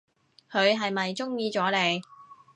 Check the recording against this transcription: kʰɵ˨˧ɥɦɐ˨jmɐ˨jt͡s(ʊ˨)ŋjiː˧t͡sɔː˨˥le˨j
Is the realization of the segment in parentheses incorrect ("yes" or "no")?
yes